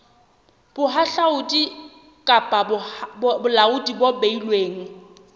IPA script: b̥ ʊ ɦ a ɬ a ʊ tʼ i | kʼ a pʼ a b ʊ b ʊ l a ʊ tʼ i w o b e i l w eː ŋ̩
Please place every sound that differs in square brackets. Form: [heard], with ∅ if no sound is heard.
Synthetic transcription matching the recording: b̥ ʊ ɦ a ɬ a ʊ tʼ i | kʼ a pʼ a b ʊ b ʊ l a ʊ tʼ i [b] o b e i l w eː ŋ̩